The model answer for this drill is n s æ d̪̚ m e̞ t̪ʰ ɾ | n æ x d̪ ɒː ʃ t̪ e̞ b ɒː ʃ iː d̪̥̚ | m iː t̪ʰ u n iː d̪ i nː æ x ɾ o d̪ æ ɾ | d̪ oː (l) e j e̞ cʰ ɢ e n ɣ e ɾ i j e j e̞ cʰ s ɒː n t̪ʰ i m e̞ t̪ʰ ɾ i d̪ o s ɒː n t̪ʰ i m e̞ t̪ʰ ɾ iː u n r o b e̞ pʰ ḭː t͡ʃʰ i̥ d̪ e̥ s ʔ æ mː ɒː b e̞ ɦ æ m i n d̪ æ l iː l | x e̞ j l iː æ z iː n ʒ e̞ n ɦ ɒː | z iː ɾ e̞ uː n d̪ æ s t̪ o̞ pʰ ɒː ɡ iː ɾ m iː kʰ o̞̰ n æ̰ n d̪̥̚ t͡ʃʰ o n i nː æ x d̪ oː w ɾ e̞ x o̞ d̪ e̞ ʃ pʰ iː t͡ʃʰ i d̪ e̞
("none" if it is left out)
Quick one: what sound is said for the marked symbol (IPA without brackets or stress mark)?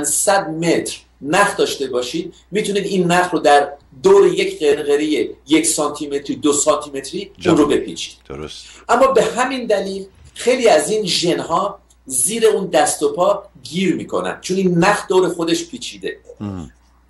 ɾ